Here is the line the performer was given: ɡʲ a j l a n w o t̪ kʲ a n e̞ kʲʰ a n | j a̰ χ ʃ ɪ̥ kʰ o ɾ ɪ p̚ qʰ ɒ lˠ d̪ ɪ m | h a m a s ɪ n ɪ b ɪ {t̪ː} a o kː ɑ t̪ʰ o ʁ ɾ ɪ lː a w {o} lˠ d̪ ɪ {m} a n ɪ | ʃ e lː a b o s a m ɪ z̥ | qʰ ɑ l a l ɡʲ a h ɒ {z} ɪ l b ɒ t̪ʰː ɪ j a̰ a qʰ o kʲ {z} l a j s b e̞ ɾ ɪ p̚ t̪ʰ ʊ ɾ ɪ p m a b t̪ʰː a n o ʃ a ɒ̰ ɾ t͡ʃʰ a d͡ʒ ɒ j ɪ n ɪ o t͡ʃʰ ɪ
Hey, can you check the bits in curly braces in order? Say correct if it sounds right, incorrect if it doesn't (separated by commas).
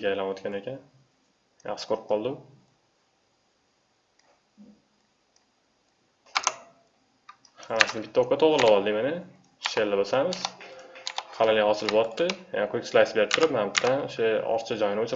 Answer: correct, incorrect, correct, incorrect, incorrect